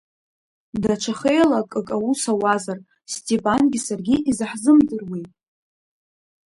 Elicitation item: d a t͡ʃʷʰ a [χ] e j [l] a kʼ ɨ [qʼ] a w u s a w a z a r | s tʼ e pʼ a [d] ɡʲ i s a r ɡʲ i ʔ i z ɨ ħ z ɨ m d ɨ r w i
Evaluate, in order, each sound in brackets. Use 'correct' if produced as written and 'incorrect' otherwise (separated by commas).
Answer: correct, correct, incorrect, incorrect